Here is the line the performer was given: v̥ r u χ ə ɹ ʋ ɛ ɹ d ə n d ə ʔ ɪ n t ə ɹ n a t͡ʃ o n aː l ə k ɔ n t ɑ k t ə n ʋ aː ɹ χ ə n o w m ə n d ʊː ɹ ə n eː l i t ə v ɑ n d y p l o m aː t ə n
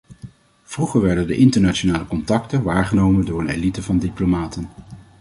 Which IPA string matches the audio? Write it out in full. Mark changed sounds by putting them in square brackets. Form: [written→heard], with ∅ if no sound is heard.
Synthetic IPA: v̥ r u χ ə ɹ ʋ ɛ ɹ d ə n d ə ʔ ɪ n t ə ɹ n a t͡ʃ o n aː l ə k ɔ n t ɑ k t ə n ʋ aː ɹ χ ə n o w m ə n d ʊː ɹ ə n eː l i t ə v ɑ n d [y→i] p l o m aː t ə n